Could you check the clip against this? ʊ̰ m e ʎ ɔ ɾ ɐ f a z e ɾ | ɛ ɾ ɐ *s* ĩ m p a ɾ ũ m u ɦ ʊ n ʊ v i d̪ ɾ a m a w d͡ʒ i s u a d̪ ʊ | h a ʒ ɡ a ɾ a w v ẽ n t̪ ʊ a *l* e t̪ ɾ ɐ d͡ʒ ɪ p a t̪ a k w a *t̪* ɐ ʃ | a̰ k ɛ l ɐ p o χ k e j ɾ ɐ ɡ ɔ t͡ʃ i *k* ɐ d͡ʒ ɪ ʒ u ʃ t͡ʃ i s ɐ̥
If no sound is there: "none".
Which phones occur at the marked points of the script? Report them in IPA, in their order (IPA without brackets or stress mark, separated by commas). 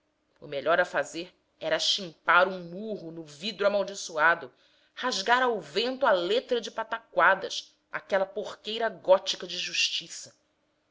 ʃ, l, d̪, k